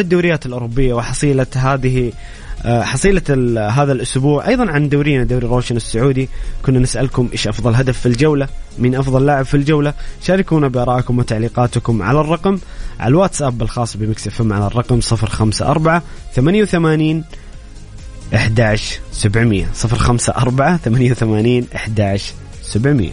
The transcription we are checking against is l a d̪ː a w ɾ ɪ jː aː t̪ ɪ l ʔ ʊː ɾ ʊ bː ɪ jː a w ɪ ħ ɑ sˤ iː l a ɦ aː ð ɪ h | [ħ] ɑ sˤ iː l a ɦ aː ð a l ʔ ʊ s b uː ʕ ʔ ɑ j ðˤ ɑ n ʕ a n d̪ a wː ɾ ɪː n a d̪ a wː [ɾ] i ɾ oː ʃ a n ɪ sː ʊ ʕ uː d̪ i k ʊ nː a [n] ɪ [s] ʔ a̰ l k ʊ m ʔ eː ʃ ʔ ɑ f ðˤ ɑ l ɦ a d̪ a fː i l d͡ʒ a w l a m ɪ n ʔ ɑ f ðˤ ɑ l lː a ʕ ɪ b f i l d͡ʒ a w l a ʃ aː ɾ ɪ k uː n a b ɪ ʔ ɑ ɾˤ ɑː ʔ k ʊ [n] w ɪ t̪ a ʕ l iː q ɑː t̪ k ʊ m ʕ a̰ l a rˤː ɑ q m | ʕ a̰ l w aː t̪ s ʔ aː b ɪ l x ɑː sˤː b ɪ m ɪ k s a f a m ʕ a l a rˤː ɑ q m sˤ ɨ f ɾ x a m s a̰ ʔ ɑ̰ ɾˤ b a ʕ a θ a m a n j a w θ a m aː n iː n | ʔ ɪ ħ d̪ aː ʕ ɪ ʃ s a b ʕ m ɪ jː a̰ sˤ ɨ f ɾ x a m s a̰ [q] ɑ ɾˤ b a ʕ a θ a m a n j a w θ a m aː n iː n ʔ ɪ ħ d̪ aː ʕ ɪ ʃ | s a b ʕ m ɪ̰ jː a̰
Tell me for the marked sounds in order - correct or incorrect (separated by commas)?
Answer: correct, correct, correct, correct, incorrect, incorrect